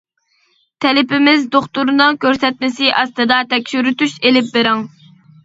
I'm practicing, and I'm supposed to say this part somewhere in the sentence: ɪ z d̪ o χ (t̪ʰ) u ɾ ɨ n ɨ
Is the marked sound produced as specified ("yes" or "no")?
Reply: no